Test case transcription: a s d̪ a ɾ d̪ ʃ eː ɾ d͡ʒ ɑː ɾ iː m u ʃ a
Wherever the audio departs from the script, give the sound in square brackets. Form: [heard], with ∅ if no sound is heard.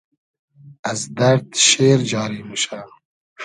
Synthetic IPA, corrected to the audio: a [z] d̪ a ɾ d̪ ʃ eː ɾ d͡ʒ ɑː ɾ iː m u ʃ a

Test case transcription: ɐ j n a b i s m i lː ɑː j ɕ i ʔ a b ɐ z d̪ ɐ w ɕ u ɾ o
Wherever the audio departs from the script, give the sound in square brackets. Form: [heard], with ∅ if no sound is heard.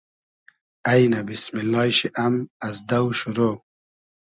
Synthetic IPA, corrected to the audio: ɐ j n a b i s m i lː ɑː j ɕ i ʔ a [m] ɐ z d̪ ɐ w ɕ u ɾ o

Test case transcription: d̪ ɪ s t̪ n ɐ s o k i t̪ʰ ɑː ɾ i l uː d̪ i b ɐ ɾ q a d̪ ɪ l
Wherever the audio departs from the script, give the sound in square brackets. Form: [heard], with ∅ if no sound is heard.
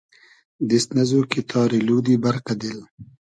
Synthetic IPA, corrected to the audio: d̪ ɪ s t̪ n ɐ [z] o k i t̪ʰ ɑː ɾ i l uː d̪ i b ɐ ɾ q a d̪ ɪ l

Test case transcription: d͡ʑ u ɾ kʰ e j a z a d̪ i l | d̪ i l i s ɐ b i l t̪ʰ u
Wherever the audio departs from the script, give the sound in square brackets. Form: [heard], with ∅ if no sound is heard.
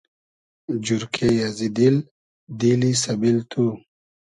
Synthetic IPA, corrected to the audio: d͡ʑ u ɾ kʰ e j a z [i] d̪ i l | d̪ i l i s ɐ b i l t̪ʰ u

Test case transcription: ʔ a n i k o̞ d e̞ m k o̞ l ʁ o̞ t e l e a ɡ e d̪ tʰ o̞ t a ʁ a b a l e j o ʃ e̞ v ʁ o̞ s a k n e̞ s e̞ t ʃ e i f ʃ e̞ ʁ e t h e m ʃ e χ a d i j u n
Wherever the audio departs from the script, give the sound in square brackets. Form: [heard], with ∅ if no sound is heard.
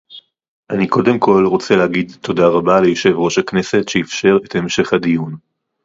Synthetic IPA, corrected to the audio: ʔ a n i k o̞ d e̞ m k o̞ l ʁ o̞ [t͡s] e l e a ɡ [i] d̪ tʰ o̞ [d] a ʁ a b a l e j o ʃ e̞ v ʁ o̞ [ʃ] a k n e̞ s e̞ t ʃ e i f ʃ e̞ ʁ e t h e m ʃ e χ a d i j u n

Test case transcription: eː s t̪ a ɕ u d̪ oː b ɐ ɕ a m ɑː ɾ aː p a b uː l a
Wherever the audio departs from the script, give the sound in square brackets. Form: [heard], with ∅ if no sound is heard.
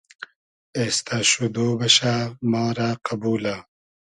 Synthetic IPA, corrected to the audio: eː s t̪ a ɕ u d̪ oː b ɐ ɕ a m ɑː ɾ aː [q] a b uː l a

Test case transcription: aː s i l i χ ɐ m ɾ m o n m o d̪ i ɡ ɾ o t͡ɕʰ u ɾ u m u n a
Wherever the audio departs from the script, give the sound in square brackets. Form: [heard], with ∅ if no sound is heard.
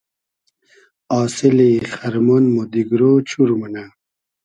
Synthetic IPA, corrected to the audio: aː s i l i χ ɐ [∅] ɾ m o n m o d̪ i ɡ ɾ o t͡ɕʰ u ɾ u m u n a

